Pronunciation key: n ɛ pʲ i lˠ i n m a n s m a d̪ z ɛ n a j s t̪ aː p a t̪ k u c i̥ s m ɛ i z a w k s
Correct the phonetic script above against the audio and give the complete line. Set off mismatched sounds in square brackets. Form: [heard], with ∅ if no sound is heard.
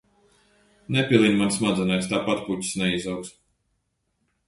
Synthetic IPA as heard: n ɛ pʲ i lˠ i n m a n s m a d̪ z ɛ n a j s t̪ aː p a t̪ [p] u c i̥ s [n] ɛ i z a w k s